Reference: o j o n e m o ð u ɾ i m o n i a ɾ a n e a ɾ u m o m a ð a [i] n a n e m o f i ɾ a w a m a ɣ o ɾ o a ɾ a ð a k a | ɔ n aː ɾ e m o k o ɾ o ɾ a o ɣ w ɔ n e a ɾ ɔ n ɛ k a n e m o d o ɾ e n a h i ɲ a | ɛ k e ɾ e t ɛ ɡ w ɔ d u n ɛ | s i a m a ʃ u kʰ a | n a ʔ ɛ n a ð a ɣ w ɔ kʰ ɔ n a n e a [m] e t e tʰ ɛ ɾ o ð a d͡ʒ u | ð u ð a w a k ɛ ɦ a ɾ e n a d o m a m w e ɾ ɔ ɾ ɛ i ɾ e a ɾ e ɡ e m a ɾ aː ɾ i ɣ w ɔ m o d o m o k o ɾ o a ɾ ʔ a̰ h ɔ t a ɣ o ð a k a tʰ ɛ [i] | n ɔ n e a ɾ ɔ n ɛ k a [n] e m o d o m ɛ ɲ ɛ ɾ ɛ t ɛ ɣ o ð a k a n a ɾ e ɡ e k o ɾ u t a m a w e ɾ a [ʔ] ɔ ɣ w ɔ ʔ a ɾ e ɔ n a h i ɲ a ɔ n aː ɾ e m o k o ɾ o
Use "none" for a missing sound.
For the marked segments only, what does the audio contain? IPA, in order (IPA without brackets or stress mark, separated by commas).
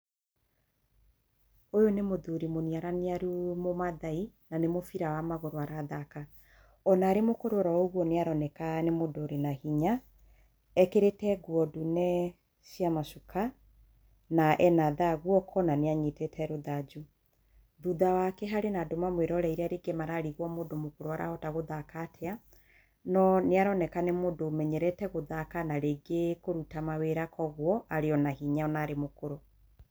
i, ɲ, a, n, k